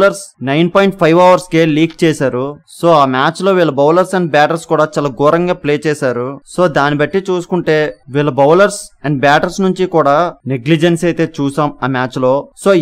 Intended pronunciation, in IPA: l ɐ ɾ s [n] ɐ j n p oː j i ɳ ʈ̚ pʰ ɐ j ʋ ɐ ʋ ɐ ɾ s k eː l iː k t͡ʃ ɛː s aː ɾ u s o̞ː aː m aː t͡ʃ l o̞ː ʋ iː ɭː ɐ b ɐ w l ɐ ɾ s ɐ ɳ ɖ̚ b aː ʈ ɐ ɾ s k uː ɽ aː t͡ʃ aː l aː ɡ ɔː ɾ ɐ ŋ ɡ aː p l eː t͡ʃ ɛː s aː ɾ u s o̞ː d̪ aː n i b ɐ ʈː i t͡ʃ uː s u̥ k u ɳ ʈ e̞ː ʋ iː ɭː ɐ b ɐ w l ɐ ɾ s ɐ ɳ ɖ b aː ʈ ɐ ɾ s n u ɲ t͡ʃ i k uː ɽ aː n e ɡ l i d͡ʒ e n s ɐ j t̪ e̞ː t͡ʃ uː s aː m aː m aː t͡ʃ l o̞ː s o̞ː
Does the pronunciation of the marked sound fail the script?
no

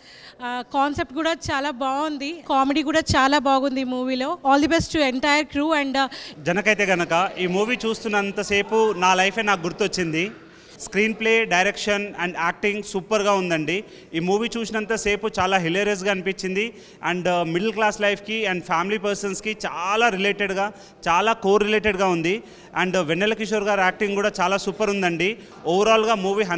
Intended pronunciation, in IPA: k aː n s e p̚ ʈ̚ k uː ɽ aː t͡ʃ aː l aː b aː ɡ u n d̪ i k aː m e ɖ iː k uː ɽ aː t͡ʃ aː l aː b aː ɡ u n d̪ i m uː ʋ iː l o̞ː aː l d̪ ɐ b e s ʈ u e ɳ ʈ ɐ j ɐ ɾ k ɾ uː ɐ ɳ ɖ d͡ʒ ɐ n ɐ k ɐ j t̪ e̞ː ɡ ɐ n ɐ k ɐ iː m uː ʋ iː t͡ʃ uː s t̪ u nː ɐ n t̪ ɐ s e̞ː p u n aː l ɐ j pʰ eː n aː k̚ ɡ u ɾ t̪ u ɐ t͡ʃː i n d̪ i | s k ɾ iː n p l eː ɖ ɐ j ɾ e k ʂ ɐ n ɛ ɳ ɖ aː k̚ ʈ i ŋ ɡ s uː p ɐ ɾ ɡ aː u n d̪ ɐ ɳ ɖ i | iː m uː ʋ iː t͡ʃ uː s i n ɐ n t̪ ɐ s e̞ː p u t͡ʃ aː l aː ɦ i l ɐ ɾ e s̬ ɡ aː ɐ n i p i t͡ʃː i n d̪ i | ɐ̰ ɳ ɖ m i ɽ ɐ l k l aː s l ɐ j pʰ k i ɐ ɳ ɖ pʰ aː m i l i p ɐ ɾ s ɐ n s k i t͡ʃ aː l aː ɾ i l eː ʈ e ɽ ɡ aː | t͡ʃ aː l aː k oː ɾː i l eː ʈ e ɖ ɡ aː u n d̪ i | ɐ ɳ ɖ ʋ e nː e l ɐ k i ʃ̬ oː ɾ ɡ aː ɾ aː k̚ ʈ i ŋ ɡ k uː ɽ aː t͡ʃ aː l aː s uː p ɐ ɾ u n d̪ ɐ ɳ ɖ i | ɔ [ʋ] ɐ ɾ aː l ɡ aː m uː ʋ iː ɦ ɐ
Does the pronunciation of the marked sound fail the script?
no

